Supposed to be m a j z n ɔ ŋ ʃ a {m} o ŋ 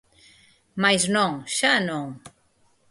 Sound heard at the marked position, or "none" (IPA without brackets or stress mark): n